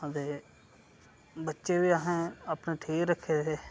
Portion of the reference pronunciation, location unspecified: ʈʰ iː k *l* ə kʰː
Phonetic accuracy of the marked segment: incorrect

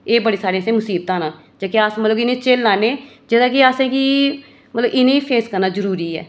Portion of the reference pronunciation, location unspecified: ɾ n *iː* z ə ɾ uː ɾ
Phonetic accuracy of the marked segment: incorrect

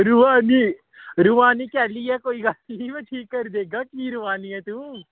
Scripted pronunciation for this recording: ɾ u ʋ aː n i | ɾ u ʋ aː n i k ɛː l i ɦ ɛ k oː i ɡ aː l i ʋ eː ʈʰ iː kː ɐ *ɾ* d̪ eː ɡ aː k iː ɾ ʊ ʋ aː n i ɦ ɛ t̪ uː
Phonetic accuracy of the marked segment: correct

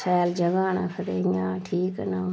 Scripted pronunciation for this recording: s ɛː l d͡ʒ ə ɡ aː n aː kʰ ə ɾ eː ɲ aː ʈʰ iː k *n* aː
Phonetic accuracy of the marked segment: correct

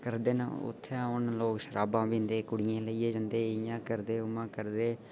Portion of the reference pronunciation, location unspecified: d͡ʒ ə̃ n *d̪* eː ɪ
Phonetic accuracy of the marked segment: correct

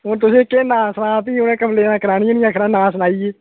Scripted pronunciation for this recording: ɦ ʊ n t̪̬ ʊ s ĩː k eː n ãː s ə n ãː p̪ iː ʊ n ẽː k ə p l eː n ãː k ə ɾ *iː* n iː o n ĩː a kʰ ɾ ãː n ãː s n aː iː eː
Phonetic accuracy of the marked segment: incorrect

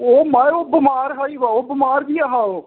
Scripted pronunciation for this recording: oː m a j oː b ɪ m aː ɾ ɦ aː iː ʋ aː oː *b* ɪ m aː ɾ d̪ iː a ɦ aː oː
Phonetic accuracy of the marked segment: correct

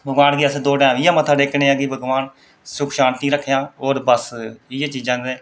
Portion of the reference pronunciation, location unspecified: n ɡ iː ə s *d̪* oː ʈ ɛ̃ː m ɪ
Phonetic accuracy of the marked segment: correct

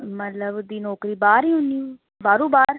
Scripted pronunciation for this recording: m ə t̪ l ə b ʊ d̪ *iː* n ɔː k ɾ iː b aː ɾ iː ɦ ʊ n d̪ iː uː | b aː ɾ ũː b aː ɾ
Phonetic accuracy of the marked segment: correct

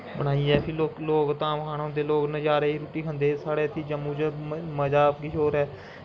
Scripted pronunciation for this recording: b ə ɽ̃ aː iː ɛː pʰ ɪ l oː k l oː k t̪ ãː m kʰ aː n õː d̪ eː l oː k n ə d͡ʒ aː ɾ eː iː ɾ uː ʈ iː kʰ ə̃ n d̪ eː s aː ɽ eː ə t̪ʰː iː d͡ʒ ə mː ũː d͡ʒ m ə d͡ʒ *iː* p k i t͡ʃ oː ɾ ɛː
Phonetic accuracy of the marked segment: incorrect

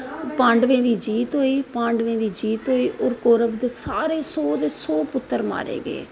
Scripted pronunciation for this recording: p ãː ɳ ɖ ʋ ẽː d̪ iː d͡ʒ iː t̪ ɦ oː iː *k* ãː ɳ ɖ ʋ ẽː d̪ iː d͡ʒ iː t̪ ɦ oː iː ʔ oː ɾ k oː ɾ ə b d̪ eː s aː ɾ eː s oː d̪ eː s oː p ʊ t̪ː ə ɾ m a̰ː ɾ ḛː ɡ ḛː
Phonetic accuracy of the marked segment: incorrect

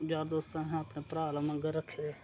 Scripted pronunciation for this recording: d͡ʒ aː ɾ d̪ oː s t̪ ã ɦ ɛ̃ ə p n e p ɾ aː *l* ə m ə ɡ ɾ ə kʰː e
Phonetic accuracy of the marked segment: correct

